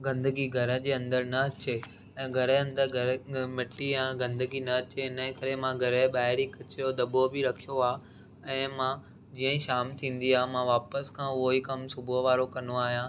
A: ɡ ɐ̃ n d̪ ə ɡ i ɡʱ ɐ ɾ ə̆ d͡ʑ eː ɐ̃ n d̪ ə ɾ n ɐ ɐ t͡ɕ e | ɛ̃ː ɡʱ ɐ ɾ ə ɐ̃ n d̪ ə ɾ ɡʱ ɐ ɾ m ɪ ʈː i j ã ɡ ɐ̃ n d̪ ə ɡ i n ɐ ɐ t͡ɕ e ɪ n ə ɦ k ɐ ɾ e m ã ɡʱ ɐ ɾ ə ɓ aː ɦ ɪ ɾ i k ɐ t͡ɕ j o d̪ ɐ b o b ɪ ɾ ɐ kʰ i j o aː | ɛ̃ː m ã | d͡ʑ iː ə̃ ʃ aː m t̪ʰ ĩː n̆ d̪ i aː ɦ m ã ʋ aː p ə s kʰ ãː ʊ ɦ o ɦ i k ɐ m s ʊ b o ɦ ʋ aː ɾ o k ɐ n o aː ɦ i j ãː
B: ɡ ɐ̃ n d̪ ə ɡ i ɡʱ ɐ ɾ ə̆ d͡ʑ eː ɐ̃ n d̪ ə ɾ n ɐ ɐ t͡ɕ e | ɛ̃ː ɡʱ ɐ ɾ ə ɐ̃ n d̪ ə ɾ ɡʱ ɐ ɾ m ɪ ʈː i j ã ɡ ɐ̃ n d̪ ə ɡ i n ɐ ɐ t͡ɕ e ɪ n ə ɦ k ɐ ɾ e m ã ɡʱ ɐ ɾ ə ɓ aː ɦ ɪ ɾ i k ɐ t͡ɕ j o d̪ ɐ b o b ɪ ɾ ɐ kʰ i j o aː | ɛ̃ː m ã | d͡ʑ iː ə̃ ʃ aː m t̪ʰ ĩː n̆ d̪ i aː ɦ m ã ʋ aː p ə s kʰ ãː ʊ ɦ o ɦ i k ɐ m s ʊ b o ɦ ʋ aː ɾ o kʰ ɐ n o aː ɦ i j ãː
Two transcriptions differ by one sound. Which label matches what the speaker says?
A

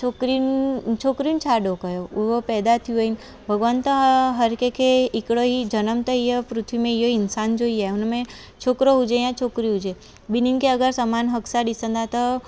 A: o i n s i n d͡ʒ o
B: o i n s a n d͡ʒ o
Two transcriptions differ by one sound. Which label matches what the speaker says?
B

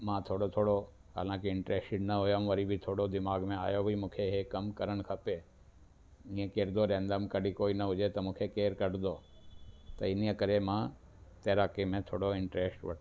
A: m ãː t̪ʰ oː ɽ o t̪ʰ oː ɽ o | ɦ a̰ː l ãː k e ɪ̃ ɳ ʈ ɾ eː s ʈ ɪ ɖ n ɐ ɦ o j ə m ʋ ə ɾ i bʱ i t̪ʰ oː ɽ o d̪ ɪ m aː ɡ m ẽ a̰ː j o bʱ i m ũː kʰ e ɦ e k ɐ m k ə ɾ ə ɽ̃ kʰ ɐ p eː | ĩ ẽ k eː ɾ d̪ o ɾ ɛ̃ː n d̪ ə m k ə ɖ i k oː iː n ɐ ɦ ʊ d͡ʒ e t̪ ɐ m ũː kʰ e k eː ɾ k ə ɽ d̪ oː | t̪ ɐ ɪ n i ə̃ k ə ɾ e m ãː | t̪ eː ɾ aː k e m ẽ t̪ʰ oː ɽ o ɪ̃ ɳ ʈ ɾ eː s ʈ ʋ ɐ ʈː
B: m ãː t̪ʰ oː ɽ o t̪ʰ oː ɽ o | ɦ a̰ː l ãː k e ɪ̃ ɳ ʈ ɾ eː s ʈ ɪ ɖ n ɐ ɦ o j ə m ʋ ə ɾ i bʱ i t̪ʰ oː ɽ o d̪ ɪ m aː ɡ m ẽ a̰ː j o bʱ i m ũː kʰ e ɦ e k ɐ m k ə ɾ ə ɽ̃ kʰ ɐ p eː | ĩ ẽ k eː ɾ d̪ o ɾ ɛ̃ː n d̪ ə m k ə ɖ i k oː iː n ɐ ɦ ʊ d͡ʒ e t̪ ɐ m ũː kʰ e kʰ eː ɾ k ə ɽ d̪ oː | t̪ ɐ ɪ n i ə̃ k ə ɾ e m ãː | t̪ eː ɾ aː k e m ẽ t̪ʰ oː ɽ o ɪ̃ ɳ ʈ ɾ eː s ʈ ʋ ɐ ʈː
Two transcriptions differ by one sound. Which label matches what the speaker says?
A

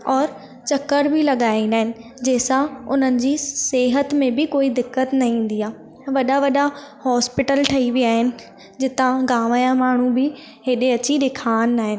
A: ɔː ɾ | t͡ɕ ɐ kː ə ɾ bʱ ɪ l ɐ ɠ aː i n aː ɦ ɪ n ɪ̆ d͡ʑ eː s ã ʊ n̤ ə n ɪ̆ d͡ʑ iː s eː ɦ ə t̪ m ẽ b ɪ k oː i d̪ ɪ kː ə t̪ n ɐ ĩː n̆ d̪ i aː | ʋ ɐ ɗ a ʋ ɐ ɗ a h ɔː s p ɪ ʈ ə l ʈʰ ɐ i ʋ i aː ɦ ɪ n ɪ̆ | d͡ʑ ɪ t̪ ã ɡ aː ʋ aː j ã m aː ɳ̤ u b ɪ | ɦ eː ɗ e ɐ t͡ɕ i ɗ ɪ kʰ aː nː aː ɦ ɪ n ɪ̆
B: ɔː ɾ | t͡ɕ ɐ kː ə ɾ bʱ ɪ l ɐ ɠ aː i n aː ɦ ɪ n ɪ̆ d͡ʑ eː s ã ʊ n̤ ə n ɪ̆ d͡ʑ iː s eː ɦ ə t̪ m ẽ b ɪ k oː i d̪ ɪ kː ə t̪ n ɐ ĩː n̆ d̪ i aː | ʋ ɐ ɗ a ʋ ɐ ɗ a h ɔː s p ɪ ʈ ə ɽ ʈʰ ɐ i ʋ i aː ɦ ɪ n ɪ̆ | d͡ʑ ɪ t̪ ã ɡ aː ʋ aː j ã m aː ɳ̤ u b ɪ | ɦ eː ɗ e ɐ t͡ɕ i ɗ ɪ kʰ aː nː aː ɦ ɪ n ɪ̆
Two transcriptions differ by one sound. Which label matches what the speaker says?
A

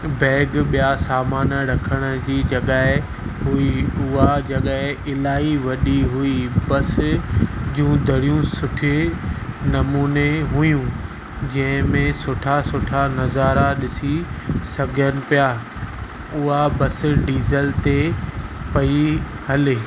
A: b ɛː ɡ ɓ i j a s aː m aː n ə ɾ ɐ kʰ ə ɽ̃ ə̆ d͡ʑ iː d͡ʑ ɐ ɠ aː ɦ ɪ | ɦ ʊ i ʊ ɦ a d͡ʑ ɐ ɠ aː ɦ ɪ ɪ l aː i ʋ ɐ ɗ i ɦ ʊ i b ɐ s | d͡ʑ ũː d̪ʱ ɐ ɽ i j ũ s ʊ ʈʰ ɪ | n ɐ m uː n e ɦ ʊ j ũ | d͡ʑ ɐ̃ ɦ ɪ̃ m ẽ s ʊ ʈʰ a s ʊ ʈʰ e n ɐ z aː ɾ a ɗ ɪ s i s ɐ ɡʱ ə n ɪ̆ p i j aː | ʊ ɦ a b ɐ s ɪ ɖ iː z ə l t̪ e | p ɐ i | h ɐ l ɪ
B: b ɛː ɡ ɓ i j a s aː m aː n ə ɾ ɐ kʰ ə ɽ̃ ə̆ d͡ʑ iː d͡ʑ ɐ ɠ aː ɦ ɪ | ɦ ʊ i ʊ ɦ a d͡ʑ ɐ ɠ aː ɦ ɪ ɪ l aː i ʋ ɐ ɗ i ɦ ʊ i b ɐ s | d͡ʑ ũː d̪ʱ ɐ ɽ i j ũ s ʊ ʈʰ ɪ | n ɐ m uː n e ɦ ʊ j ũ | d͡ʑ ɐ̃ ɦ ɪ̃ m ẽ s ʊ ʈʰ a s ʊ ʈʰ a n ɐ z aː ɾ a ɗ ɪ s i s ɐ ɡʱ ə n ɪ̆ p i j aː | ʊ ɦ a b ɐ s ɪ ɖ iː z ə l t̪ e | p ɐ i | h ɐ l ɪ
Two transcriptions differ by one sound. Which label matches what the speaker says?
B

